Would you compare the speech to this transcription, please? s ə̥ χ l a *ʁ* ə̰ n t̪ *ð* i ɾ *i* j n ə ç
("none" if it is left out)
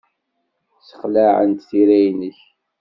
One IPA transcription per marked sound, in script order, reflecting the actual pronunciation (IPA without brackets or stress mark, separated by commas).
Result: ʕ, θ, æ